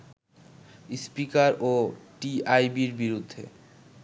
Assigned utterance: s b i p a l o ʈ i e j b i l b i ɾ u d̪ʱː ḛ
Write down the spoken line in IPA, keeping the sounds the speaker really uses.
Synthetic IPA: s p i k a ɾ o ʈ i a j b i ɾ b i ɾ u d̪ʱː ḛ